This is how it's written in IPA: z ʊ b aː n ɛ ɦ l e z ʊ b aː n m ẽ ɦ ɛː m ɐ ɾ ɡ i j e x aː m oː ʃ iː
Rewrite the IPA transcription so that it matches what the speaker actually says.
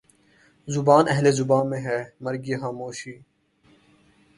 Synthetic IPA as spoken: z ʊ b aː n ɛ ɦ l e z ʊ b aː n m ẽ ɦ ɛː m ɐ ɾ ɡ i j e x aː m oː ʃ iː